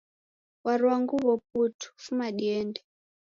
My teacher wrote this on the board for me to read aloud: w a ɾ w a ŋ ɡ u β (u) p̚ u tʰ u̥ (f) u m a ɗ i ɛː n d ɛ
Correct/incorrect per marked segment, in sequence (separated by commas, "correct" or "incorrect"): incorrect, correct